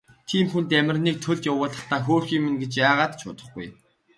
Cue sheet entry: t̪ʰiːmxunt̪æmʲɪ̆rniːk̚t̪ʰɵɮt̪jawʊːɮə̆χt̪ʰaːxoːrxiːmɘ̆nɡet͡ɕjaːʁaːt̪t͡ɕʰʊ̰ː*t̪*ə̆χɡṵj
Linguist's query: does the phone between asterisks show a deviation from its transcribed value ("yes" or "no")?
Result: no